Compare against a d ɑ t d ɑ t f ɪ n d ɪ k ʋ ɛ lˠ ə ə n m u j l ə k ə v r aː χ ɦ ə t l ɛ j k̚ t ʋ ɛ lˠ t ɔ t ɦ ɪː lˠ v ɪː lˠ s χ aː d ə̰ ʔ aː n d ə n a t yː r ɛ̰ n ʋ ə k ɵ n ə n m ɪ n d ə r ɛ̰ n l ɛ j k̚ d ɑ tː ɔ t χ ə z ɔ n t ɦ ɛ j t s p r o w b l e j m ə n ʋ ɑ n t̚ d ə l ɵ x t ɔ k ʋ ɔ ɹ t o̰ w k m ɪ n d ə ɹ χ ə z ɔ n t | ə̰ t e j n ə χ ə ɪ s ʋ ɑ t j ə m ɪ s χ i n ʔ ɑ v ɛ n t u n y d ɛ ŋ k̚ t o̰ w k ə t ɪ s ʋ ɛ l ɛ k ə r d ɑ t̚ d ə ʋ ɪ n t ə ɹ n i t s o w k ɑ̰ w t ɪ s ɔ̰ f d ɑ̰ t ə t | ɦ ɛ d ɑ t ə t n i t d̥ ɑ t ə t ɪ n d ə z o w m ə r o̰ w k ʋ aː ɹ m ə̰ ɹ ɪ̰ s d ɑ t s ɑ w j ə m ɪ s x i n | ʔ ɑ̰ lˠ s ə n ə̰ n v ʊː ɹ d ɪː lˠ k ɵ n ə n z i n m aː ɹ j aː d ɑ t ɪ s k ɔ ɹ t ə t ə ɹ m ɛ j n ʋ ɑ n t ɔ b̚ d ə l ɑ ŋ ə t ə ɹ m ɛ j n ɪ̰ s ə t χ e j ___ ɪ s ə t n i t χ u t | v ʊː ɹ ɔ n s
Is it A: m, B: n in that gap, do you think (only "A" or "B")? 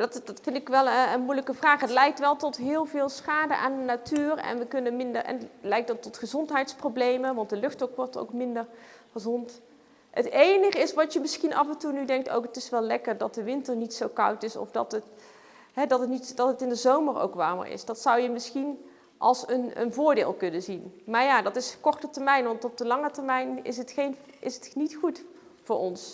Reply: B